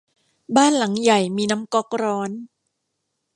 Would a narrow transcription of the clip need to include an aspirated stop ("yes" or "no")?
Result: no